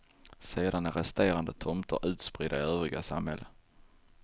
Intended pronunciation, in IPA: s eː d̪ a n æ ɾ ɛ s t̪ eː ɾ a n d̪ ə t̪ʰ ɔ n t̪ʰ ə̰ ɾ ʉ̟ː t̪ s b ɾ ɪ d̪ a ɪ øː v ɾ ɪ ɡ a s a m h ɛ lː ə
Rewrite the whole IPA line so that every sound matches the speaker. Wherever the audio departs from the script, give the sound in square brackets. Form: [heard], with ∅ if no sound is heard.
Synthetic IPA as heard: s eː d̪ a n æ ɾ ɛ s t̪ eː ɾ a n d̪ ə t̪ʰ ɔ [m] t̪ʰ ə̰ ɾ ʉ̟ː t̪ s [p] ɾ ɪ d̪ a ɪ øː v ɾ ɪ ɡ a s a m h ɛ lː ə